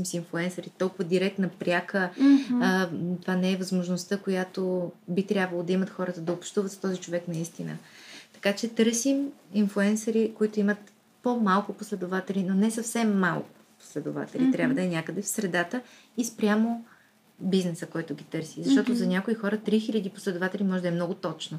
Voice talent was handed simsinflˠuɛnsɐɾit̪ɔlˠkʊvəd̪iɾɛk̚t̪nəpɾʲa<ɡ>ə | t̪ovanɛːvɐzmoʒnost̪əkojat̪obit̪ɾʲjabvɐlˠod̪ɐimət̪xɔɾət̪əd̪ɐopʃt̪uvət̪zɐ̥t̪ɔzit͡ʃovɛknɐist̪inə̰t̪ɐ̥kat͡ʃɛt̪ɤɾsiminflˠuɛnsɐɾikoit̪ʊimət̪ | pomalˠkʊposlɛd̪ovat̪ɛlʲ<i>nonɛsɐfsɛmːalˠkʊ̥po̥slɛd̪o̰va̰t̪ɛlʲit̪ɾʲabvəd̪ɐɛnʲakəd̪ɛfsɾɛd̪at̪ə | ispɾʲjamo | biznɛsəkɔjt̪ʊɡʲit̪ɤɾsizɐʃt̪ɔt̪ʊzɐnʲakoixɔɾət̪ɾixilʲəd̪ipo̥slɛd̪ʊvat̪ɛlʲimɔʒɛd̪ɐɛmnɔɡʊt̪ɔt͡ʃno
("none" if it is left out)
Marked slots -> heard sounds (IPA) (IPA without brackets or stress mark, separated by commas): k, i